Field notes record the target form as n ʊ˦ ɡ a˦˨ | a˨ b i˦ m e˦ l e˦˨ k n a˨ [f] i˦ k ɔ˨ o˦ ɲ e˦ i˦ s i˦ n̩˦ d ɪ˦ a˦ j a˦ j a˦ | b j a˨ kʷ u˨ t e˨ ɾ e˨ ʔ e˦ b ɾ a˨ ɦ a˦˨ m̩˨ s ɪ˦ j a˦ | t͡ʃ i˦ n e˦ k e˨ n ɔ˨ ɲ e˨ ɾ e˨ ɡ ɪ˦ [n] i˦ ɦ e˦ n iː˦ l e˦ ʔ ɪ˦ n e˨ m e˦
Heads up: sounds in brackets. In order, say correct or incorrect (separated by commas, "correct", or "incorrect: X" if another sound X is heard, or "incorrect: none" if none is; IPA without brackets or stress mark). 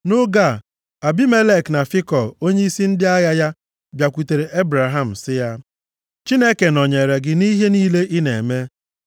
correct, correct